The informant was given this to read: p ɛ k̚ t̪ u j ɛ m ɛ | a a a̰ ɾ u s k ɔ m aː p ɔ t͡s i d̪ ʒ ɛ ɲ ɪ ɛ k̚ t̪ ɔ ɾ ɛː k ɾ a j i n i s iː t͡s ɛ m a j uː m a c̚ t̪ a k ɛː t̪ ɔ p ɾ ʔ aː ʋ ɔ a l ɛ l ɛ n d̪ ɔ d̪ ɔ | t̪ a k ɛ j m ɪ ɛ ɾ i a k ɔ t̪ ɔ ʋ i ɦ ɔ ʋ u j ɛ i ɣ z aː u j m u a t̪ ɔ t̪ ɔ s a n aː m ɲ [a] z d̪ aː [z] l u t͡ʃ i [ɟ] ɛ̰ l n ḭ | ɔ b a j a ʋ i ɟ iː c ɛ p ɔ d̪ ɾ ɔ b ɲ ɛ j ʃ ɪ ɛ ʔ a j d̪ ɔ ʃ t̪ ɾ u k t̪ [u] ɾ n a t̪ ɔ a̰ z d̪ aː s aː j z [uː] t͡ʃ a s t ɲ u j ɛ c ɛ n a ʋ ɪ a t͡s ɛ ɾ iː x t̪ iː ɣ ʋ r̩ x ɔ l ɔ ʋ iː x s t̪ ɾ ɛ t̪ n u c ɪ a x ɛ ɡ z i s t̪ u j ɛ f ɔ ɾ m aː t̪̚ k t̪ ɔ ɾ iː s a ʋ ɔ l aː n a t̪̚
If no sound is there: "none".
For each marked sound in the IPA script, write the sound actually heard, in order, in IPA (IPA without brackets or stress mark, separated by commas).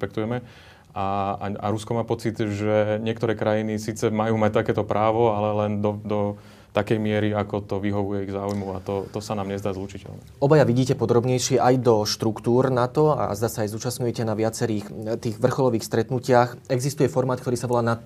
ɛ, z, c, uː, uː